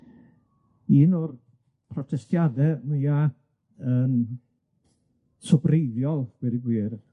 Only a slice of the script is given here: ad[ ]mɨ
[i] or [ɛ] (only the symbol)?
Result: ɛ